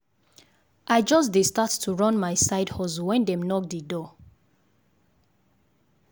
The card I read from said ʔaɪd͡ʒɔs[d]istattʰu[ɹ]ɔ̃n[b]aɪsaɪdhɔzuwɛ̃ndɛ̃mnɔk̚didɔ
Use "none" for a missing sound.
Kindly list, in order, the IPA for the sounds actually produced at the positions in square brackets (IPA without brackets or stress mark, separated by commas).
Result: d, ɹ, m